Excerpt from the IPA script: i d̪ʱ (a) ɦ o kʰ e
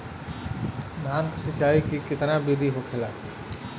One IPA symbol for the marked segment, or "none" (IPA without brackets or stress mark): i